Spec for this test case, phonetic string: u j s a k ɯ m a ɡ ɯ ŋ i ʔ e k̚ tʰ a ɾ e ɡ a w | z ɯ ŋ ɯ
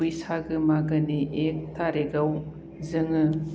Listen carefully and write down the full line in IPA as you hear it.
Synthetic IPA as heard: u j s a ɡ ɯ m a ɡ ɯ n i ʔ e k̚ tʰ a ɾ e ɡ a w | z ɯ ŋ ɯ

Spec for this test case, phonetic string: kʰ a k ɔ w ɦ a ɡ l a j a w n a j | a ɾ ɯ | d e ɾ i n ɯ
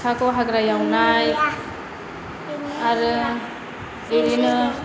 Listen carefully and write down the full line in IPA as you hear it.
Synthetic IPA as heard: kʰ a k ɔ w ɦ a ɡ ɾ a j a w n a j | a ɾ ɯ | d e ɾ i n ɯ

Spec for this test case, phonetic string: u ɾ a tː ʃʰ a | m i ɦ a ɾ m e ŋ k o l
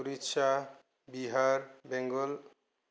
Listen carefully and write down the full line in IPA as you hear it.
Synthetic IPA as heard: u ɾ i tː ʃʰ a | b i ɦ a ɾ b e ŋ ɡ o l

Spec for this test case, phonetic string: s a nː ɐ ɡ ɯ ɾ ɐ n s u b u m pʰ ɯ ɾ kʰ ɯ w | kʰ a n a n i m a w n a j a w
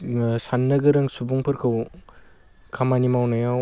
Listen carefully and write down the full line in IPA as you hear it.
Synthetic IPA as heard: s a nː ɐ ɡ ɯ ɾ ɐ ŋ s u b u ŋ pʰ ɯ ɾ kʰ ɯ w | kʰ a m a n i m a w n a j a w

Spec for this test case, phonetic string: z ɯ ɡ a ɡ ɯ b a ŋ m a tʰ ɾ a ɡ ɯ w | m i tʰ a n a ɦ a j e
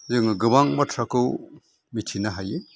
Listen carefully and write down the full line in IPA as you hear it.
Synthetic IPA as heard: z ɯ ŋ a ɡ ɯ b a ŋ m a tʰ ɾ a k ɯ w | m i tʰ i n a ɦ a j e

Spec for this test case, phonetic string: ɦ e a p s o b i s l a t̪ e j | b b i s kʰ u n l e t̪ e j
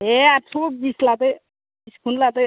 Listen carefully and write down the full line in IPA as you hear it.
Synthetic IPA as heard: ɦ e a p s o b i s l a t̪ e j | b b i s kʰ u n l a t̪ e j

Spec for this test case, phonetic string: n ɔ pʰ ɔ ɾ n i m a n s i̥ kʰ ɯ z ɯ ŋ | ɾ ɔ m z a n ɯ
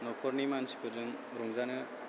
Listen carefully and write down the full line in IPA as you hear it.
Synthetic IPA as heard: n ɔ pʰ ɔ ɾ n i m a n s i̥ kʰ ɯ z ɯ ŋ | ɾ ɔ ŋ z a n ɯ

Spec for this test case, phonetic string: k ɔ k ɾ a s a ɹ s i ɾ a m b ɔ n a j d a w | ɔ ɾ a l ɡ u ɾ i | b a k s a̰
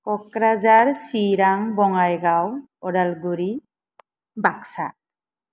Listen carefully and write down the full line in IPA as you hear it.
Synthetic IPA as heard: k ɔ k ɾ a z a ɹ s i ɾ a ŋ b ɔ ŋ a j ɡ a w | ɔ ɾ a l ɡ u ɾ i | b a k s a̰

